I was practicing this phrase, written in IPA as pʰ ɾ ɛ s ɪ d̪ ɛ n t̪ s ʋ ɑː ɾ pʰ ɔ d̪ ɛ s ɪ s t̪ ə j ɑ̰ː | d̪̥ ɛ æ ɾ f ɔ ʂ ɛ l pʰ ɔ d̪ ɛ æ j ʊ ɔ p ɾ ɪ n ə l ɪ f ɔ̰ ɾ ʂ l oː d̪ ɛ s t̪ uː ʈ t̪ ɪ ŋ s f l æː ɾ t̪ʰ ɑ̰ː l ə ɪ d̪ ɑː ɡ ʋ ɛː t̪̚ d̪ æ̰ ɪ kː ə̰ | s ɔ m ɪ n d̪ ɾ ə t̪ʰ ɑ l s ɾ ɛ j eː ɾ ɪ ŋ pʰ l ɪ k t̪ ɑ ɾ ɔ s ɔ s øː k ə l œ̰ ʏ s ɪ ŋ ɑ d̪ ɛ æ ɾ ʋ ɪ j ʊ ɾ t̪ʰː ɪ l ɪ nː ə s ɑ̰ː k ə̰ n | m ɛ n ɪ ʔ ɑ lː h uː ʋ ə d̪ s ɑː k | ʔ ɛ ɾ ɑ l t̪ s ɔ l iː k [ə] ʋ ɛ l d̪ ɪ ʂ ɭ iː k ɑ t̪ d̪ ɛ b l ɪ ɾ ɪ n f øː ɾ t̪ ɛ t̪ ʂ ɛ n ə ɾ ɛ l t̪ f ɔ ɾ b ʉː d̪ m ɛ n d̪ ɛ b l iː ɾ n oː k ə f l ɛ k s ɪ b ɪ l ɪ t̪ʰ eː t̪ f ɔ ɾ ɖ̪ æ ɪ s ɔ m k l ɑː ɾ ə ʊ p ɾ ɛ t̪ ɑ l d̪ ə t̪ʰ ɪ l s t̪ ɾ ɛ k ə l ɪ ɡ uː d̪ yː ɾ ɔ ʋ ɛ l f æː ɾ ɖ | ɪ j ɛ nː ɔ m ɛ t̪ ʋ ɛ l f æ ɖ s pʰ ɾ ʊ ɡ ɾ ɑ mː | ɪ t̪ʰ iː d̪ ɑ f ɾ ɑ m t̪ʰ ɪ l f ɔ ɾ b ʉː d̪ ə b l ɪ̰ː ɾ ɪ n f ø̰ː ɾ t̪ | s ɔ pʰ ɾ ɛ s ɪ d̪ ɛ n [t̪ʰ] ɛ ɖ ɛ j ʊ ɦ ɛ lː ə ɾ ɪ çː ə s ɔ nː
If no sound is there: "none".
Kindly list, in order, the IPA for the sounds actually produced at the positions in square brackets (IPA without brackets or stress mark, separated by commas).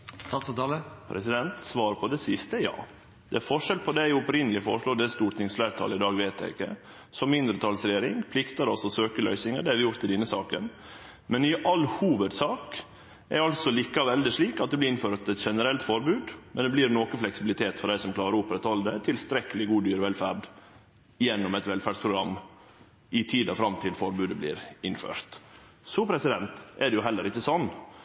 ɑ, t̪